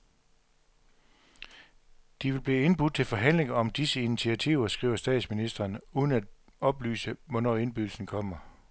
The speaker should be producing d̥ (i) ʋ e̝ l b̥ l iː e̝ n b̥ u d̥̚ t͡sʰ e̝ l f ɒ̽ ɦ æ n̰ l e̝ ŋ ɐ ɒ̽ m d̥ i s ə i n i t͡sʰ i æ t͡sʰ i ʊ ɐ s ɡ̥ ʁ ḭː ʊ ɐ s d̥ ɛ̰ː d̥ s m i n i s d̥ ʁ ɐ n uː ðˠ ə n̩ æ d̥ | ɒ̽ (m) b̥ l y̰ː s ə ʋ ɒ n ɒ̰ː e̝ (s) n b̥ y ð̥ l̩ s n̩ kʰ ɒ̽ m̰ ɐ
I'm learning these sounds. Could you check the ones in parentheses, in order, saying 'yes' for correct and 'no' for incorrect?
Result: yes, no, no

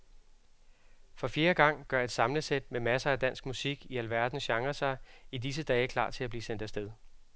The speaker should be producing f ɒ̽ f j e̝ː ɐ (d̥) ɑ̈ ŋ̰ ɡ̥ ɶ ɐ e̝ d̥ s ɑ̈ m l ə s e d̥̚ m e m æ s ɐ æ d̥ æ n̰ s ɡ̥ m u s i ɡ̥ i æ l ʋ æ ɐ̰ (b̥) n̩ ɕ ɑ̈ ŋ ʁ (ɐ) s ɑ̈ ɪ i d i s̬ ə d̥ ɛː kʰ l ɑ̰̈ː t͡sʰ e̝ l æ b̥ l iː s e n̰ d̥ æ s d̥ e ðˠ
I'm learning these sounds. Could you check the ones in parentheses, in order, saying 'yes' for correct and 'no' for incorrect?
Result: no, no, yes

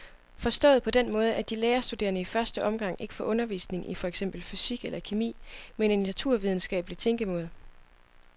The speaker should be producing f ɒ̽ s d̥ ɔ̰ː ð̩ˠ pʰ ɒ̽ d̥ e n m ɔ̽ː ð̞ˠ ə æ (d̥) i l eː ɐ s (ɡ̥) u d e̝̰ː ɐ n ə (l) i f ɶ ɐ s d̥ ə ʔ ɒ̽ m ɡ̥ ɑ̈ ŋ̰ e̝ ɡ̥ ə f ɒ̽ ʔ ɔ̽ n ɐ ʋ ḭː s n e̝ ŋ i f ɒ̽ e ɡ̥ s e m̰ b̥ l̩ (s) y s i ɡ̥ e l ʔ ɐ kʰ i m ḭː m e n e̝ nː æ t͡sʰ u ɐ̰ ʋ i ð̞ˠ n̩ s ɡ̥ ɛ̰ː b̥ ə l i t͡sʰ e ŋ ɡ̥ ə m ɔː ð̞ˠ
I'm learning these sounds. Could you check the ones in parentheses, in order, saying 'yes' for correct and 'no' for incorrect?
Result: yes, no, no, no

